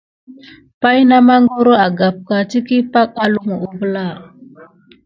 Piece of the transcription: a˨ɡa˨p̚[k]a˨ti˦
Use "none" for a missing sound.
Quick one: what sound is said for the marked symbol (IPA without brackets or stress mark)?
k